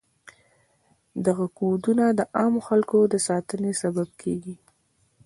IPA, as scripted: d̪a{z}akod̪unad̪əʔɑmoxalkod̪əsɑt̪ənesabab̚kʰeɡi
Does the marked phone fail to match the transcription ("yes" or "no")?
yes